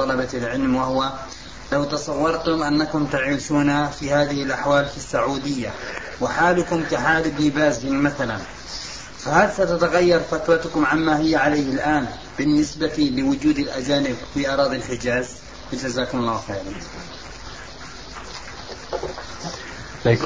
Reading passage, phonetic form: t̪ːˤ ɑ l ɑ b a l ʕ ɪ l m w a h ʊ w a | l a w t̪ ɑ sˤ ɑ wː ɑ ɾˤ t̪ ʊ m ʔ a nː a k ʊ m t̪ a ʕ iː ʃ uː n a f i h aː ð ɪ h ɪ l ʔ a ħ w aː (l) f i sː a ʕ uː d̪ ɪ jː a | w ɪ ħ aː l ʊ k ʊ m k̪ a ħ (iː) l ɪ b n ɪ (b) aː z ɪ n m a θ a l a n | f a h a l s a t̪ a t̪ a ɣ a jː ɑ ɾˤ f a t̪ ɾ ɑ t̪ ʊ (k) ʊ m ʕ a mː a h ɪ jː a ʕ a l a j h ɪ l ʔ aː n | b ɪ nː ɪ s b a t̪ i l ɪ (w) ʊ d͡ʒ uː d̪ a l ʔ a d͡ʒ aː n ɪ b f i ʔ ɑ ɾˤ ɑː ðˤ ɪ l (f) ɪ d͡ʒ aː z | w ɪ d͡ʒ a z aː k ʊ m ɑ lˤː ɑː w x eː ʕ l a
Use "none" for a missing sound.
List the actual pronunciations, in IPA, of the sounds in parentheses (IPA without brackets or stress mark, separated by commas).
l, aː, b, k, w, ħ